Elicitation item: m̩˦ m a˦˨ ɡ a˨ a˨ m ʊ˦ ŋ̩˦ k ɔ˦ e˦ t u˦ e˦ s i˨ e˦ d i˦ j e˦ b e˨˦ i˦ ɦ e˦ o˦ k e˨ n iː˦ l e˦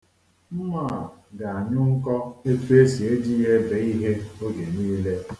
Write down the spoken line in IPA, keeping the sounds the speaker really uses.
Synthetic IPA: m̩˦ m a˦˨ ɡ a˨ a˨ ɲ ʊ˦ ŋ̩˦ k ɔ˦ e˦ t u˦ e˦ s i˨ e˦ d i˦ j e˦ b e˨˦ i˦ ɦ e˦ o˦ ɡ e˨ n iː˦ l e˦